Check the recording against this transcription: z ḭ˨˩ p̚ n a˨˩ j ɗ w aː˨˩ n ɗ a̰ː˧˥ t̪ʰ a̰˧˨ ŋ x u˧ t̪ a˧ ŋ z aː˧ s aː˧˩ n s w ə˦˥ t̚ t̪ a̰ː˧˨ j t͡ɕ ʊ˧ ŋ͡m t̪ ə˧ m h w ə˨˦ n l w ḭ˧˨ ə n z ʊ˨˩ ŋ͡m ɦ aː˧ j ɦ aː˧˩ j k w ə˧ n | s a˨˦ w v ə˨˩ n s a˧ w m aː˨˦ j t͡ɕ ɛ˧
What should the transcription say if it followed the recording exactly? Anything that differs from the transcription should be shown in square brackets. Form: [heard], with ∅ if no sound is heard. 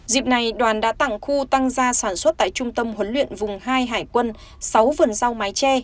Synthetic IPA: z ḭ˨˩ p̚ n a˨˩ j ɗ w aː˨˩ n ɗ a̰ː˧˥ [t̪] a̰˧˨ ŋ x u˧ t̪ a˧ ŋ z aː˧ s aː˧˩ n s w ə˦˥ t̚ t̪ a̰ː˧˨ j t͡ɕ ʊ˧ ŋ͡m t̪ ə˧ m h w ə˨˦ n l w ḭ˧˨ ə n [v] ʊ˨˩ ŋ͡m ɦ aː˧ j ɦ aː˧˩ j k w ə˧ n | s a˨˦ w v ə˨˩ n [z] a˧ w m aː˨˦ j t͡ɕ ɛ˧